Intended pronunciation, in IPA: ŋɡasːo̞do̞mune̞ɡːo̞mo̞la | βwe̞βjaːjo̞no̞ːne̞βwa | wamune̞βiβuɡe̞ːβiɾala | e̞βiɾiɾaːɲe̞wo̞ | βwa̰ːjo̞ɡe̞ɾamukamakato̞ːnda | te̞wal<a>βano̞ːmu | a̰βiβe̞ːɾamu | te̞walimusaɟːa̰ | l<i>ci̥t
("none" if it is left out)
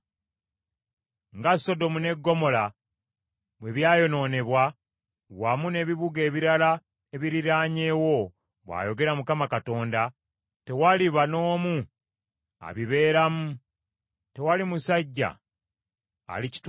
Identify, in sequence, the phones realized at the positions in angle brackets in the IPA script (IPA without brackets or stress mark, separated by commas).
i, i